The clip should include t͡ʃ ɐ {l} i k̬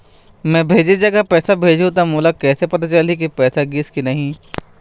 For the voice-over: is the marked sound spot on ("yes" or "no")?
yes